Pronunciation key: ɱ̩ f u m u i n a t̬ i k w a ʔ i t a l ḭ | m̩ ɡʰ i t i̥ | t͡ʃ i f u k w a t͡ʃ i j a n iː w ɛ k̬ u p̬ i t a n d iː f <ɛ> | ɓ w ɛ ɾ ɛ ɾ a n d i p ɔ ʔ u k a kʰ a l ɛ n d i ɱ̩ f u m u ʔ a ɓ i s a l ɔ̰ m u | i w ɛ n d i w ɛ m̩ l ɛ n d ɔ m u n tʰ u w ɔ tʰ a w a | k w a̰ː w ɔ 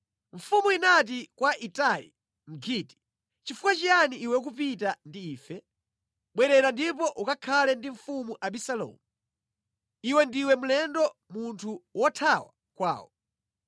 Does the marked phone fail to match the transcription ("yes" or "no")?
no